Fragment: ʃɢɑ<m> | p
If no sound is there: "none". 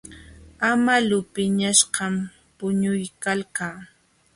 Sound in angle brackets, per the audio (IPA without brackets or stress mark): m